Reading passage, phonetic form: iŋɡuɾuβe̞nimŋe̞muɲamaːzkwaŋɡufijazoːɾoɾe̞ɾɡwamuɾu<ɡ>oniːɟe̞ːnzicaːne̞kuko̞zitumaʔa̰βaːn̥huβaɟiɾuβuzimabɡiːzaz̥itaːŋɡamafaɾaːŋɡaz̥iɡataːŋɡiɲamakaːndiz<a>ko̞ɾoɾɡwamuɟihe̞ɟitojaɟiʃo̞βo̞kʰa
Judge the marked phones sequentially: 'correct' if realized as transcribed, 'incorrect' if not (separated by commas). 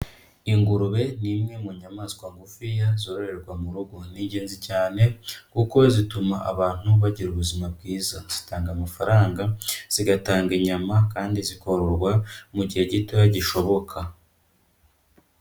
correct, incorrect